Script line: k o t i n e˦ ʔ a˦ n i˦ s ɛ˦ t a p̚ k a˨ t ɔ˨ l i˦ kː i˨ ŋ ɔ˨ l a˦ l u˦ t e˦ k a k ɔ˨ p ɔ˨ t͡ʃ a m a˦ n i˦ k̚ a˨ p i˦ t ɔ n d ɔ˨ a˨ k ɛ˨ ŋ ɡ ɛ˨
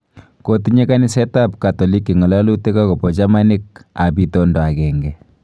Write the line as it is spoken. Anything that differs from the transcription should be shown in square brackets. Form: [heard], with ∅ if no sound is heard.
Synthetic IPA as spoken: k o t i [ɲ] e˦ [k] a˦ n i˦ s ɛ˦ t a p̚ k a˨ t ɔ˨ l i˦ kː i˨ ŋ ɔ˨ l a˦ l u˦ t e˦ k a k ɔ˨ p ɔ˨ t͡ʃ a m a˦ n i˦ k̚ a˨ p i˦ t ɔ n d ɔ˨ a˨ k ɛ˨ ŋ ɡ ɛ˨